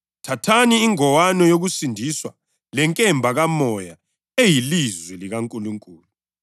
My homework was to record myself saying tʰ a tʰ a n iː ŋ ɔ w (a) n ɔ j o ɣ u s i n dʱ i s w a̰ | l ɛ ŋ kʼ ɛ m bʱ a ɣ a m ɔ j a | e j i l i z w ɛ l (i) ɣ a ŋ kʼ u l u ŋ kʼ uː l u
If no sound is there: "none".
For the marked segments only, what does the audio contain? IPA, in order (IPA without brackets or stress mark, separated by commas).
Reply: a, i